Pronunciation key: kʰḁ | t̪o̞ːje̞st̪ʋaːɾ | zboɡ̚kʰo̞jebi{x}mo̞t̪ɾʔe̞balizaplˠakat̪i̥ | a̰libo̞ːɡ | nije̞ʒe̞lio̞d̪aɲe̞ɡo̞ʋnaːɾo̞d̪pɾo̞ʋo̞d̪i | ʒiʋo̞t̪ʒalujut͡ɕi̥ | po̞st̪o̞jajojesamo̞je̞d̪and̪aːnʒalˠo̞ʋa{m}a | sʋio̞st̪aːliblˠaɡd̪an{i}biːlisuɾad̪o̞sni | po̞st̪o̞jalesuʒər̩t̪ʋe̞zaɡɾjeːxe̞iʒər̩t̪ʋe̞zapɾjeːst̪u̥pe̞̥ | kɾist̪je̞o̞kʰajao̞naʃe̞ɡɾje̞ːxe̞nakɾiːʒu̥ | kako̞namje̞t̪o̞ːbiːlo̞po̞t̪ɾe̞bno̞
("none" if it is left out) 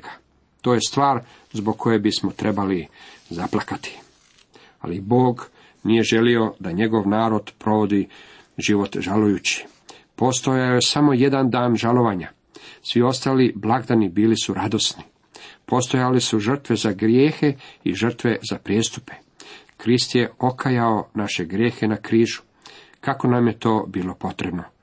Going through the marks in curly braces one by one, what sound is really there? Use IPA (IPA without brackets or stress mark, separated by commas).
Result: s, ɲ, i